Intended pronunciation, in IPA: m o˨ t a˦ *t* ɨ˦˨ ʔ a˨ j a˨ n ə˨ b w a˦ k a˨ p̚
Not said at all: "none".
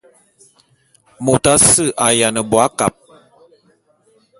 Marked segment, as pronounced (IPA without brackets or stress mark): s